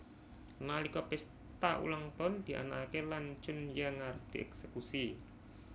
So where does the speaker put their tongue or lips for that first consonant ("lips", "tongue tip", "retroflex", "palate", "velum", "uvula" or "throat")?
tongue tip